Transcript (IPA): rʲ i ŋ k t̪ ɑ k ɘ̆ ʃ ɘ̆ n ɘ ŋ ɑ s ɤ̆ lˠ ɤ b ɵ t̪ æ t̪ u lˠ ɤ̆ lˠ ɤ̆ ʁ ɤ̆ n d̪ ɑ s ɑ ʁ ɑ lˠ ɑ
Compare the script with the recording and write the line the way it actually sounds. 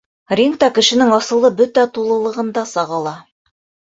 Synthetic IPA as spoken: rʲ i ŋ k t̪ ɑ k ɘ̆ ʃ ɘ̆ n ɘ ŋ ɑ s ɤ̆ lˠ ɤ b ɵ t̪ æ t̪ u lˠ ɤ̆ lˠ ɤ̆ ʁ ɤ̆ n d̪ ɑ s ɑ ʁ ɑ lˠ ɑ